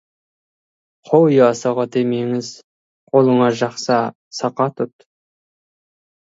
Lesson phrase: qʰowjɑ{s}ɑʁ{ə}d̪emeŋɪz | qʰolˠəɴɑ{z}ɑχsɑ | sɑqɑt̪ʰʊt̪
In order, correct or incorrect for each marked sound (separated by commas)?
correct, incorrect, incorrect